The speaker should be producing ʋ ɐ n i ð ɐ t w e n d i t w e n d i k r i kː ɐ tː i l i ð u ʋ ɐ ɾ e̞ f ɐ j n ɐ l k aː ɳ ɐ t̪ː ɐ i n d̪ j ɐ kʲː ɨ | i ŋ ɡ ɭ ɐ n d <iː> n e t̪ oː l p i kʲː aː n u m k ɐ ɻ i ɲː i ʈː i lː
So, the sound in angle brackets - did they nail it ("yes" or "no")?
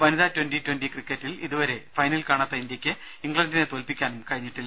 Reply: no